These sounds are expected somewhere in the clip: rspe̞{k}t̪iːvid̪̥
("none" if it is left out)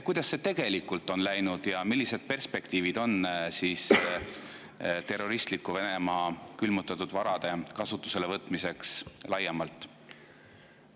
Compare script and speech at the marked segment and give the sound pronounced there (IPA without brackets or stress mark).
k